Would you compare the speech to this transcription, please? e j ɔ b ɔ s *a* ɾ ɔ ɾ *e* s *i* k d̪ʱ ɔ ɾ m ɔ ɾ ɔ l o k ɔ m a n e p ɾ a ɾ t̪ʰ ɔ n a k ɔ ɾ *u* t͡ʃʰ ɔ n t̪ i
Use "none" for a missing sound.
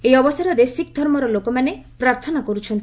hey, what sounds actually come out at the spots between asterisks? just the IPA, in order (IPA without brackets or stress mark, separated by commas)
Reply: a, e, i, u